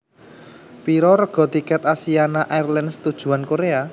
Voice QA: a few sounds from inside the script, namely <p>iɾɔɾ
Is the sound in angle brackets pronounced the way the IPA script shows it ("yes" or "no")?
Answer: yes